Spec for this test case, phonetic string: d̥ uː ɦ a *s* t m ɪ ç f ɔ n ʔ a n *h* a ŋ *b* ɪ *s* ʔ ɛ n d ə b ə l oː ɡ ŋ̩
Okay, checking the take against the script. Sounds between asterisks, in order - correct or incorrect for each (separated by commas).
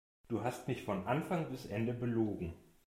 correct, incorrect, correct, correct